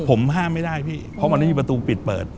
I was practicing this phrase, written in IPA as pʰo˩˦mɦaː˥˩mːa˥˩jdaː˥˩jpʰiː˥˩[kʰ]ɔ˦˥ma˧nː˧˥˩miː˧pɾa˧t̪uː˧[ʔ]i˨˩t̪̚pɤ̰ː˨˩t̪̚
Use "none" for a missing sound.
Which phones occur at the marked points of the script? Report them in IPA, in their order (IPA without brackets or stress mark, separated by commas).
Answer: pʰ, p